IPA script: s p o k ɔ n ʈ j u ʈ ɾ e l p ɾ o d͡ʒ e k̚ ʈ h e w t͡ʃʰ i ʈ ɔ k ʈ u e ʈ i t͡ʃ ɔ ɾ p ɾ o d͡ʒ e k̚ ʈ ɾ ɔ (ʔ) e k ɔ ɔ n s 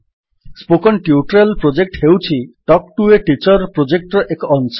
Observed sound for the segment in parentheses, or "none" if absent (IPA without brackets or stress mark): ʔ